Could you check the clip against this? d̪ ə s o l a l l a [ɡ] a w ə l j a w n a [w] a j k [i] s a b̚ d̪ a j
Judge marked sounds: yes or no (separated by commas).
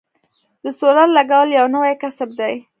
yes, yes, no